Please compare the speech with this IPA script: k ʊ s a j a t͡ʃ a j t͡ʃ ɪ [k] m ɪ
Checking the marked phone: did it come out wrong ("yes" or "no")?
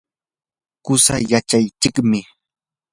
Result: no